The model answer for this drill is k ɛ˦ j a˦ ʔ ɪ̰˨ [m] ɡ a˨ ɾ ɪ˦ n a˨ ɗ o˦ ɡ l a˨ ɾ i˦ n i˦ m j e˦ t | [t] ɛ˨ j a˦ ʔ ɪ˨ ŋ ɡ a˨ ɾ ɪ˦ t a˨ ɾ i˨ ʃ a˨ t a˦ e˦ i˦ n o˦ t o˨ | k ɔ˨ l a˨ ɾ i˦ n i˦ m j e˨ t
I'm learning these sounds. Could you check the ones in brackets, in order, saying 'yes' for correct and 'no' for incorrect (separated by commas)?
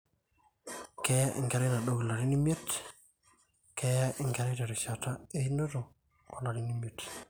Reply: no, no